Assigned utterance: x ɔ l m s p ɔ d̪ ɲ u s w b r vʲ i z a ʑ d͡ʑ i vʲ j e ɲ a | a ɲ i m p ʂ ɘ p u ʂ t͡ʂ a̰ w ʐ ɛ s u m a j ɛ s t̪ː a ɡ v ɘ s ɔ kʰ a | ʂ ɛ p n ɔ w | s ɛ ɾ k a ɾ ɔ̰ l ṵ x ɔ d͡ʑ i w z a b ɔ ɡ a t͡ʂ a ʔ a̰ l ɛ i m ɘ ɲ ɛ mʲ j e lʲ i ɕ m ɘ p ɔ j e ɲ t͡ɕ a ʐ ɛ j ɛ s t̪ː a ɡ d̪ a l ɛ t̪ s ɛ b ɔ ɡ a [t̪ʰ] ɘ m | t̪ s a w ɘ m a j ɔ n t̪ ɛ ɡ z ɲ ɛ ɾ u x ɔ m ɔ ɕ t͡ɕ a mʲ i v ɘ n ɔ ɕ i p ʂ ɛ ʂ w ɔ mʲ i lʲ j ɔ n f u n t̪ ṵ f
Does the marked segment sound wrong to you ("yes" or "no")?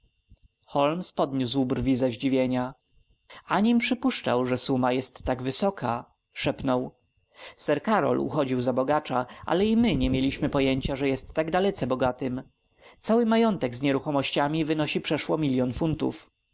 yes